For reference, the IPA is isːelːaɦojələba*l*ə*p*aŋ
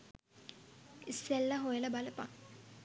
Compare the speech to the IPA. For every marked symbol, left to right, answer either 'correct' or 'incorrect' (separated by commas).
correct, correct